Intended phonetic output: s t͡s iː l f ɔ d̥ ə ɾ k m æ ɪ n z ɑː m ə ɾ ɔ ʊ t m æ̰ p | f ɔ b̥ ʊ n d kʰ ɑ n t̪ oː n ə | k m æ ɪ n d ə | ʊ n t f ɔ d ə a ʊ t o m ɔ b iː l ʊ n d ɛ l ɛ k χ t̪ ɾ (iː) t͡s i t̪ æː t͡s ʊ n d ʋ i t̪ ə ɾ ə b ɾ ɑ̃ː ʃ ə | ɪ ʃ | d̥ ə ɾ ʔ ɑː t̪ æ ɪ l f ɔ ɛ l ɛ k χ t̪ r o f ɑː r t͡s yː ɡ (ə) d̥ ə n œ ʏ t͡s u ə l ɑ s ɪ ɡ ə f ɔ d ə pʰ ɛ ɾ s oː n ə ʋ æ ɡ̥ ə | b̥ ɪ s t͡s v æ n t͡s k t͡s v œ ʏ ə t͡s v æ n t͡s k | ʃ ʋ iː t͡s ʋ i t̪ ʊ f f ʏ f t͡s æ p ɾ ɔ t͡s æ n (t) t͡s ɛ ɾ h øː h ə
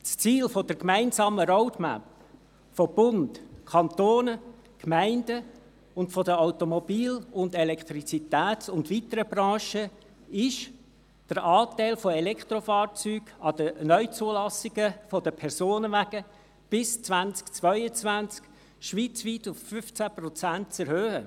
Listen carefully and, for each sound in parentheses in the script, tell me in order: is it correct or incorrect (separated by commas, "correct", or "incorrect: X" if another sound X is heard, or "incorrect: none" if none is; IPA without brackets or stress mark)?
incorrect: i, incorrect: ɑ, correct